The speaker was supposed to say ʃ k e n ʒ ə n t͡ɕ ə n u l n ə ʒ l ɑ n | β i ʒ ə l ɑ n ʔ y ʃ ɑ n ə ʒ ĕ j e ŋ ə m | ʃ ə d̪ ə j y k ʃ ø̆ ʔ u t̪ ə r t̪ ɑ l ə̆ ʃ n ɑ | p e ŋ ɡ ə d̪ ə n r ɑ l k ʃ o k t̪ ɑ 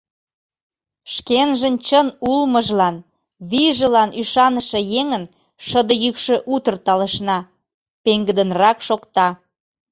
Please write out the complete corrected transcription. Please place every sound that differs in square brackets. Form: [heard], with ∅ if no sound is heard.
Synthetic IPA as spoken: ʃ k e n ʒ ə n t͡ɕ ə n u l [m] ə ʒ l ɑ n | β i ʒ ə l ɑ n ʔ y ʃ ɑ n ə [ʃ] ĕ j e ŋ ə [n] | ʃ ə d̪ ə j y k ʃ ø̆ ʔ u t̪ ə r t̪ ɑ l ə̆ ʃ n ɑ | p e ŋ ɡ ə d̪ ə n r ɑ [∅] k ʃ o k t̪ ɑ